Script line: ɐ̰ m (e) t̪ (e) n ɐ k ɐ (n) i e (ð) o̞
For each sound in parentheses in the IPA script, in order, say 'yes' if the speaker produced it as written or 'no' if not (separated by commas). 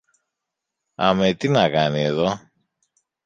yes, no, yes, yes